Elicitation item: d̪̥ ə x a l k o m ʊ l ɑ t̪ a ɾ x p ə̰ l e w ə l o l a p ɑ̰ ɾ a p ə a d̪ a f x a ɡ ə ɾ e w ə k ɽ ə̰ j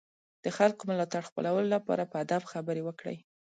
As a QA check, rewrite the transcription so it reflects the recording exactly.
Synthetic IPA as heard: d̪̥ ə x a l k o m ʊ l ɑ t̪ a ɽ x p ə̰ l a w ə l o l a p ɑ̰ ɾ a p ə a d̪ a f x a b ə ɾ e w ə k ɽ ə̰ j